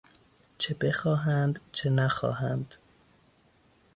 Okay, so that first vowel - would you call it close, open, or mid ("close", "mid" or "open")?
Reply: mid